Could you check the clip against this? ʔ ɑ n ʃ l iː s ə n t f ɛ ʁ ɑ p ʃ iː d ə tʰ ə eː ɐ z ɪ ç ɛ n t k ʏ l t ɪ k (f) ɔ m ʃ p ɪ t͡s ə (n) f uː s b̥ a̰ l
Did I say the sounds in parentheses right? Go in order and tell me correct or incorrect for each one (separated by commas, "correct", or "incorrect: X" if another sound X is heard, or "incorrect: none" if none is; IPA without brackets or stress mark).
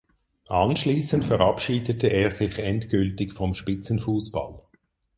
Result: correct, correct